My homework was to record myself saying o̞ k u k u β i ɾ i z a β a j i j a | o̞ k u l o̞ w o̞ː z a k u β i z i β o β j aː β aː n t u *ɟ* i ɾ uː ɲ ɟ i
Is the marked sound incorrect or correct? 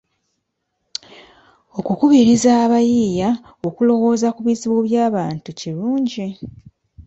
incorrect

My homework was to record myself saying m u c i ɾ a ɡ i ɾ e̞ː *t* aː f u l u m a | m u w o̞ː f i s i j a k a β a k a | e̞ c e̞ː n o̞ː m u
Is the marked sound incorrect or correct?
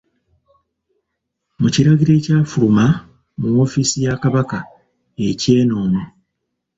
incorrect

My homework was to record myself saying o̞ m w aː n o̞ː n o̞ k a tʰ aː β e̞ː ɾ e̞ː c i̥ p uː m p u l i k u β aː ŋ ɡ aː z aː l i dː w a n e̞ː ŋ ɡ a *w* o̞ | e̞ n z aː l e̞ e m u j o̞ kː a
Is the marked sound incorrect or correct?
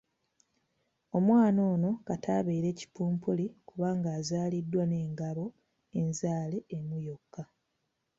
incorrect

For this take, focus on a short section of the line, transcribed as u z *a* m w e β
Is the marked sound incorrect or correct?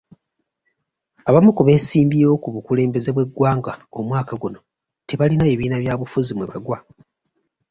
incorrect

